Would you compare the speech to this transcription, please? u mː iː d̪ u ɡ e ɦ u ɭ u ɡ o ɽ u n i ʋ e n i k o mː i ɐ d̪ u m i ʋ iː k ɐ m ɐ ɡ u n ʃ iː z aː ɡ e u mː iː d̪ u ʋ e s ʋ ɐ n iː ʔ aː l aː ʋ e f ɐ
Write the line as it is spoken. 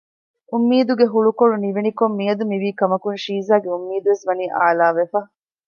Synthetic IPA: u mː iː d̪ u ɡ e ɦ u ɭ u k o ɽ u n i ʋ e n i k o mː i ɐ d̪ u m i ʋ iː k ɐ m ɐ k u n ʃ iː z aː ɡ e u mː iː d̪ u ʋ e s ʋ ɐ n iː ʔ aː l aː ʋ e f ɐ